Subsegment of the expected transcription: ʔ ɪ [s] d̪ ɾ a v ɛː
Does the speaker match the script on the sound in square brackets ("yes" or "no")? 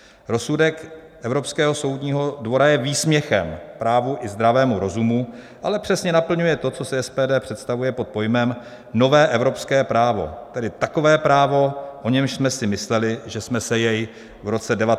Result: no